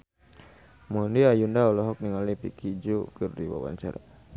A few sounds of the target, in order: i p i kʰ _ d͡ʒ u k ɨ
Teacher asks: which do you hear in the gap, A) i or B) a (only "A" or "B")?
A